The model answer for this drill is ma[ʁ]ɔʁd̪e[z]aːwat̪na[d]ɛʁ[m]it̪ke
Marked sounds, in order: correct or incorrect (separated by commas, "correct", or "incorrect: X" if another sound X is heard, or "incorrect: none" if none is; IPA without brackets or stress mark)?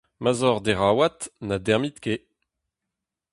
incorrect: z, incorrect: ʁ, correct, correct